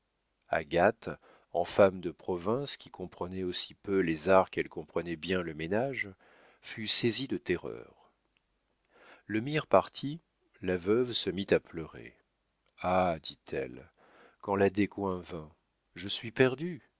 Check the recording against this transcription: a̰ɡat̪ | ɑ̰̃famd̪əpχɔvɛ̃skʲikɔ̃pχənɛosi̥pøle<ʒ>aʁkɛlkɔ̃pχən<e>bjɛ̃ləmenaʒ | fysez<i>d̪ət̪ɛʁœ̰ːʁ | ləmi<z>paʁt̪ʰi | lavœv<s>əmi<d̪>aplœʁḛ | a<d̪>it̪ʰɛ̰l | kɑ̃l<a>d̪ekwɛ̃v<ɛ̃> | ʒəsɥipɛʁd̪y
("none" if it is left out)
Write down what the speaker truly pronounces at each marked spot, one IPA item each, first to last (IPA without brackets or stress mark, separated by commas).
z, ɛ, i, ʁ, s, t̪, d̪, a, ɛ̃